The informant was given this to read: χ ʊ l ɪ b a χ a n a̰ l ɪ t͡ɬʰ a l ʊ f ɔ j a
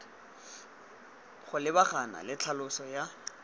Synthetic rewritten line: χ ʊ l ɪ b a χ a n a̰ l ɪ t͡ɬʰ a l ʊ s ɔ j a